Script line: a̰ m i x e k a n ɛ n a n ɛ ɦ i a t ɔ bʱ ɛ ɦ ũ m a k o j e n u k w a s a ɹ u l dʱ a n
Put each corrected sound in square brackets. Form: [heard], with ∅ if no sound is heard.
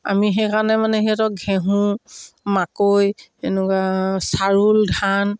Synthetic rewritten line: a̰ m i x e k a n ɛ [m] a n ɛ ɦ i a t ɔ [ɡʱ] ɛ ɦ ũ m a k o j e n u k w a s a ɹ u l dʱ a n

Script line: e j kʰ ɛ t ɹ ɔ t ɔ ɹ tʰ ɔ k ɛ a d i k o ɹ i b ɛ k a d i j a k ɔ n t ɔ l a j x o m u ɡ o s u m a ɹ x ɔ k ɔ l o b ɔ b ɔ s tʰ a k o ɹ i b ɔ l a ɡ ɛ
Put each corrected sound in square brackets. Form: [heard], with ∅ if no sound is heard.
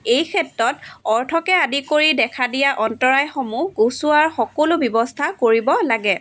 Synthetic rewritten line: e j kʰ ɛ t ɹ ɔ t ɔ ɹ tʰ ɔ k ɛ a d i k o ɹ i [d] ɛ [kʰ] a d i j a [ʔ] ɔ n t ɔ [ɹ] a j x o m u ɡ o s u [∅] a ɹ x ɔ k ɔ l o b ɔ b ɔ s tʰ a k o ɹ i b ɔ l a ɡ ɛ

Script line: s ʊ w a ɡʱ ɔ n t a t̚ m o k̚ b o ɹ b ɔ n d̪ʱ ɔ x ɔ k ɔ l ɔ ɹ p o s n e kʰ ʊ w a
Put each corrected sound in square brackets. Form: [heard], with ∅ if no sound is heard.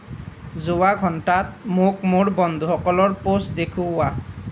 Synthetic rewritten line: [z] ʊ w a ɡʱ ɔ n t a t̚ m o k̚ [m] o ɹ b ɔ n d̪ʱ [u] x ɔ k ɔ l ɔ ɹ p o s [d] e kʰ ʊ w a

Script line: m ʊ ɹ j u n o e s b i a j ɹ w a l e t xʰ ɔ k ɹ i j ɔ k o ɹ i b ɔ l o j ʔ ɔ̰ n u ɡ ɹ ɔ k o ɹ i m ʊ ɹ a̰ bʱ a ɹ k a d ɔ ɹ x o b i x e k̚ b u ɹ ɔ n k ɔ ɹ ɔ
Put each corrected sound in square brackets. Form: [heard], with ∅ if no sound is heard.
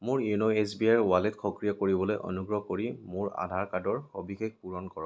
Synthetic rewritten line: m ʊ ɹ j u n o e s b i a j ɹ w a l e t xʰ ɔ k ɹ i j ɔ k o ɹ i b ɔ l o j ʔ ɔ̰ n u ɡ ɹ ɔ k o ɹ i m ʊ ɹ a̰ [dʱ] a ɹ k a d ɔ ɹ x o b i x e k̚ [p] u ɹ ɔ n k ɔ ɹ ɔ

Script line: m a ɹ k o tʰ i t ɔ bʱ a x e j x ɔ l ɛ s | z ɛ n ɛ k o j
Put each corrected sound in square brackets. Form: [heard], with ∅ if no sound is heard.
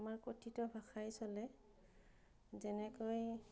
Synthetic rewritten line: m a ɹ k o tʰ i t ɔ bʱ a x [a] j [s] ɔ l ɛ [∅] | z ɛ n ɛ k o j

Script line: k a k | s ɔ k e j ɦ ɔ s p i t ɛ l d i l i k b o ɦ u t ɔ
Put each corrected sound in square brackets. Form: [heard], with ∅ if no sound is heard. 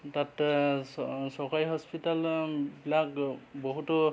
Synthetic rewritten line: [t] a [t] | s ɔ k [a] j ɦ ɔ s p i t [a] l [b] i l [a] k b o ɦ u t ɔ

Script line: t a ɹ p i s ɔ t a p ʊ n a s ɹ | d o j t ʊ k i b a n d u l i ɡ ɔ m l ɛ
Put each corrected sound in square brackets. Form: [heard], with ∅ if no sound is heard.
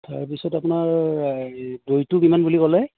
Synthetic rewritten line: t a ɹ p i s ɔ t a p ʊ n a [∅] ɹ | d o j t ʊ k i [m] a n [b] u l i [k] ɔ [∅] l ɛ

